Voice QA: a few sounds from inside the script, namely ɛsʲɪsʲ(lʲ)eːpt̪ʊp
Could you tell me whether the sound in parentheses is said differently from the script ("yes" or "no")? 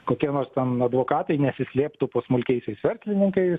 no